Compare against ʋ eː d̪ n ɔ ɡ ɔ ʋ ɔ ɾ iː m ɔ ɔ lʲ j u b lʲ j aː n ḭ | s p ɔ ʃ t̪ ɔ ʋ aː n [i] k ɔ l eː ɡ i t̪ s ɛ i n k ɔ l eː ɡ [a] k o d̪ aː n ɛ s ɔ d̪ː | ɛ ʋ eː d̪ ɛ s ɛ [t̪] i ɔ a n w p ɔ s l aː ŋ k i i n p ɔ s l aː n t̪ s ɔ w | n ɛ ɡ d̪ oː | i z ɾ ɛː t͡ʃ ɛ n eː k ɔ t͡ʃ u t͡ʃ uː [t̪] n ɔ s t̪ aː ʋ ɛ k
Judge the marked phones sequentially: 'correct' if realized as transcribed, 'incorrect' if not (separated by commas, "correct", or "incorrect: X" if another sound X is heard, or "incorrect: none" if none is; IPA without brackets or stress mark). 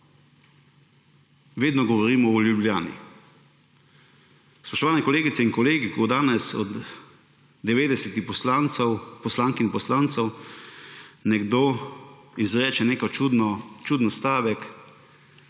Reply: incorrect: ɛ, incorrect: i, correct, incorrect: d̪